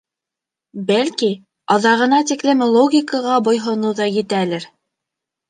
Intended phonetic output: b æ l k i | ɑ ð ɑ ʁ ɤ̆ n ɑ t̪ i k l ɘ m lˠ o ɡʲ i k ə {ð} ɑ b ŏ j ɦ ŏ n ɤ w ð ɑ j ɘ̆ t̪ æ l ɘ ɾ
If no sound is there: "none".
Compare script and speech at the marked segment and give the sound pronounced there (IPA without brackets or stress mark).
ʁ